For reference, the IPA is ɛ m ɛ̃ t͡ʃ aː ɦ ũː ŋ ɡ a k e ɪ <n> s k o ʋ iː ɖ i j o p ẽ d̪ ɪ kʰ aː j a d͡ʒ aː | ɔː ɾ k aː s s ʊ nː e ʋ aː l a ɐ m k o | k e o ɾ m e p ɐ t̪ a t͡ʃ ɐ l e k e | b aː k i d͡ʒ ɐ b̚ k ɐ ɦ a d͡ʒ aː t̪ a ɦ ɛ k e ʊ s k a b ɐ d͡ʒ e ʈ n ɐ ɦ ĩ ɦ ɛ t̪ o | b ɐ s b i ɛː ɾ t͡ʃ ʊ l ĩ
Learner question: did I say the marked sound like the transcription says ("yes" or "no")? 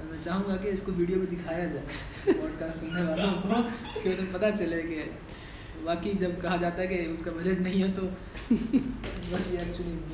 no